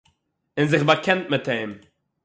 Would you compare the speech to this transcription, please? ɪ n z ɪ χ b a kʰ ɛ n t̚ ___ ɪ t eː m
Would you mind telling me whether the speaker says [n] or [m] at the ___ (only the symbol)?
m